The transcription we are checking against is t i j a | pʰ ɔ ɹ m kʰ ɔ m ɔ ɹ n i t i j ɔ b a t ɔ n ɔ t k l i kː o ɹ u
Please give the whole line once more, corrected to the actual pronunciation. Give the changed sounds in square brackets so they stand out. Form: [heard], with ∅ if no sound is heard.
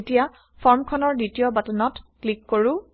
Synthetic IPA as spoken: t i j a | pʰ ɔ ɹ m kʰ ɔ [n] ɔ ɹ [d] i t i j ɔ b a t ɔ n ɔ t k l i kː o ɹ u